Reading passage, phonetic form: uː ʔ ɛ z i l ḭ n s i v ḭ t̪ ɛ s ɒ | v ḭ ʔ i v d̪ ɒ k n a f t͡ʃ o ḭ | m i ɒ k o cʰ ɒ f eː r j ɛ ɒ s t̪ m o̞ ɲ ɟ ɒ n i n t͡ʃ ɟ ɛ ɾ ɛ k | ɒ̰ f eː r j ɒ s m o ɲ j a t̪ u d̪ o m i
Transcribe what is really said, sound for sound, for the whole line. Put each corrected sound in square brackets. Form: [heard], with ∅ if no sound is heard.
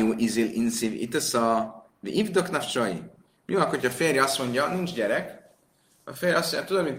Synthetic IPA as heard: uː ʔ [i] z i l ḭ n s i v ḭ t̪ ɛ s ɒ | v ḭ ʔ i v d̪ [o] k n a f t͡ʃ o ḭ | m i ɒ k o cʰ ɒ f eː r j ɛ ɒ s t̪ m o̞ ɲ ɟ ɒ n i n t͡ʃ ɟ ɛ ɾ ɛ k | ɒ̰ f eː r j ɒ s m o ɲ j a t̪ u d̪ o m i